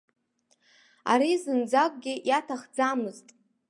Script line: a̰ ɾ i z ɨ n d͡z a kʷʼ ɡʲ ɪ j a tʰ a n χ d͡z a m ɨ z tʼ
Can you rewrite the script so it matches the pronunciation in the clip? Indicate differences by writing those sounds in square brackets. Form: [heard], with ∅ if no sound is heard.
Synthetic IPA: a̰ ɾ i z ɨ n d͡z a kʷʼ ɡʲ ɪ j a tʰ a [∅] χ d͡z a m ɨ z tʼ